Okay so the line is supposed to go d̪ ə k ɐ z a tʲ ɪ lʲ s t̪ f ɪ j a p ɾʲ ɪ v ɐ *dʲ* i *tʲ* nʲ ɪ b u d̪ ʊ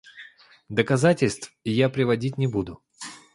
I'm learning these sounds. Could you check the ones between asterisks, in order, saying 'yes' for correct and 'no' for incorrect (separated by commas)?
yes, yes